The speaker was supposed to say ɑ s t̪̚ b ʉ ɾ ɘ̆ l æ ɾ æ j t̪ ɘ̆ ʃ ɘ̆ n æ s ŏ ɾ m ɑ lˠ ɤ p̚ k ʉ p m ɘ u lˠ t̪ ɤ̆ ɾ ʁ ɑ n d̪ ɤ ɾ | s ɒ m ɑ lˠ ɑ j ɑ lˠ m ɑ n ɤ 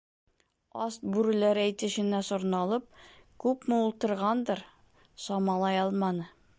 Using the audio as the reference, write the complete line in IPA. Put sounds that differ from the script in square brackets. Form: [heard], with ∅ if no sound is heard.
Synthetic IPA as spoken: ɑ s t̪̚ b ʉ ɾ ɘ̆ l æ ɾ æ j t̪ ɘ̆ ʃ ɘ̆ n æ s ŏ ɾ [n] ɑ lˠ ɤ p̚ k ʉ p m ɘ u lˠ t̪ ɤ̆ ɾ ʁ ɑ n d̪ ɤ ɾ | s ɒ m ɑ lˠ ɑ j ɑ lˠ m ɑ n ɤ